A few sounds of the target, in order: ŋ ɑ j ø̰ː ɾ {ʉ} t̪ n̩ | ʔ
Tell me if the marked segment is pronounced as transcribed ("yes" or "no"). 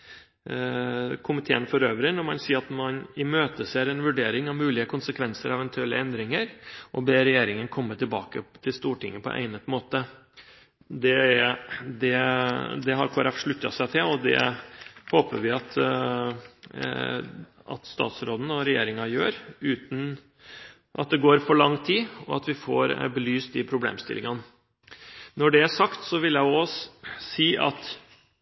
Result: no